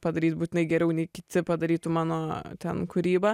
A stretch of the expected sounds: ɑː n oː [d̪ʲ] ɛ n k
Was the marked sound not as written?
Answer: yes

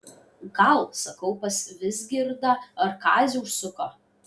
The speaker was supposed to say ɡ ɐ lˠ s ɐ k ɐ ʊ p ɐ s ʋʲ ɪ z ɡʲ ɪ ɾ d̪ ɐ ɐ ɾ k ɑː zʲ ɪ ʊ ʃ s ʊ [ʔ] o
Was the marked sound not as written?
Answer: yes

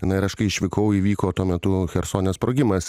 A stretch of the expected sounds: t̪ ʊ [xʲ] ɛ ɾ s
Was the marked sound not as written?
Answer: no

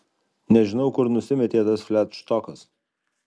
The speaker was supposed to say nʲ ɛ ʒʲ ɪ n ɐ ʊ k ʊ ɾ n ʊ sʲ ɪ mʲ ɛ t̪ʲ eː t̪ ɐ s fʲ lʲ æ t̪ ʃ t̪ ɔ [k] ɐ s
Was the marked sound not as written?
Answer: no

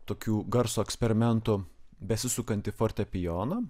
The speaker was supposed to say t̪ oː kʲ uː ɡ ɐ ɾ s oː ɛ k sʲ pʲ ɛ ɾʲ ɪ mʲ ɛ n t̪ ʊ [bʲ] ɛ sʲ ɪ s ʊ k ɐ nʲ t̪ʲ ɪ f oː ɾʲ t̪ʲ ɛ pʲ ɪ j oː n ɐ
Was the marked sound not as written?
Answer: no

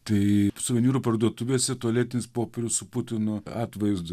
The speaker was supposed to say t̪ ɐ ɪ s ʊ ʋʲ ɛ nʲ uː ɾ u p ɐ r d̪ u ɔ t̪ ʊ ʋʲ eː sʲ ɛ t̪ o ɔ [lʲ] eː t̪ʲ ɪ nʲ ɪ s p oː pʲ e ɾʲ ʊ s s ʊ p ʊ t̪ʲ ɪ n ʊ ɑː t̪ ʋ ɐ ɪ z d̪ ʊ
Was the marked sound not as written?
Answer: no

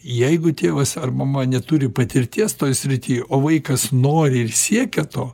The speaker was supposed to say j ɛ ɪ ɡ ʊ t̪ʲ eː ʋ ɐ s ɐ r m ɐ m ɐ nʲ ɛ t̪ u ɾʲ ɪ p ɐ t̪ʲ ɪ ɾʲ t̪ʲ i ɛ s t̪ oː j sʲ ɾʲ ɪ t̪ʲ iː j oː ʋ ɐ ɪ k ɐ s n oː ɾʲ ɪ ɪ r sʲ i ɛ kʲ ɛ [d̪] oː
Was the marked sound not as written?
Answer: yes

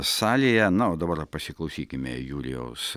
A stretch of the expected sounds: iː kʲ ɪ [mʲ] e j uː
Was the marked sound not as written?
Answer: no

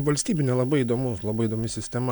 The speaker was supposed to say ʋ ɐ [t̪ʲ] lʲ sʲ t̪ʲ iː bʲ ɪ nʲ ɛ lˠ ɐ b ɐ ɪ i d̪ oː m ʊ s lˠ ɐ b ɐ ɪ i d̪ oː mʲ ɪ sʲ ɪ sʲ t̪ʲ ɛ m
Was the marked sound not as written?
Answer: yes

